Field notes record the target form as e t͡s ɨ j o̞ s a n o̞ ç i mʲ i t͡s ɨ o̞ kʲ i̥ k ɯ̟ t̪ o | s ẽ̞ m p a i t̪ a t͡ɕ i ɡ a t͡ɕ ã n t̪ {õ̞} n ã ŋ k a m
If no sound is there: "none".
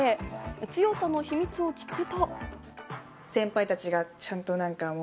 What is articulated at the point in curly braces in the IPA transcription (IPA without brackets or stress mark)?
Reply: o̞